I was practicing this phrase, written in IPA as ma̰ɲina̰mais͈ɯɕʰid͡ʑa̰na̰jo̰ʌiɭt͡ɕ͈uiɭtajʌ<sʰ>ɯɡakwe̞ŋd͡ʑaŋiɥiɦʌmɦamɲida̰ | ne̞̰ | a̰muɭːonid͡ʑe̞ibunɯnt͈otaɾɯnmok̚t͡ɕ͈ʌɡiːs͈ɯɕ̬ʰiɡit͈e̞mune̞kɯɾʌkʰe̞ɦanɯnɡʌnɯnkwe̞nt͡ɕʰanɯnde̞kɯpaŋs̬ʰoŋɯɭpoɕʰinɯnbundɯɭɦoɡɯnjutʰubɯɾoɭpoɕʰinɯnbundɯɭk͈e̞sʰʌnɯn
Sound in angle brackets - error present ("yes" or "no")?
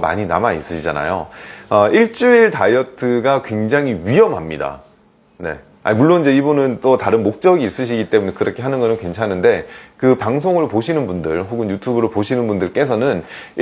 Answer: yes